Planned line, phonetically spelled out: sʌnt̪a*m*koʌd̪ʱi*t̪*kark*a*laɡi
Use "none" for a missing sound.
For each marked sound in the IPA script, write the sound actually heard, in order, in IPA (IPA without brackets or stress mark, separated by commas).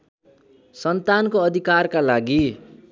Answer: n, none, a